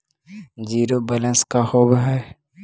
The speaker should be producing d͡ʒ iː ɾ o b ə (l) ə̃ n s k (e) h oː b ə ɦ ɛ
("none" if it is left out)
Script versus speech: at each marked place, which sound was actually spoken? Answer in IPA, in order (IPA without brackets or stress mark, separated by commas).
l, a